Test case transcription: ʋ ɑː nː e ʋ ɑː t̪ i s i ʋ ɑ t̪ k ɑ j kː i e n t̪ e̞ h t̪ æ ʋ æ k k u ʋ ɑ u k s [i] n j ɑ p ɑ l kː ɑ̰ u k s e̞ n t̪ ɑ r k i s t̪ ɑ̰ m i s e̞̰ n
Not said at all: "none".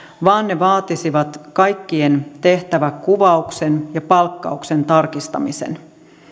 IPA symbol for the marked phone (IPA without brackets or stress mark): e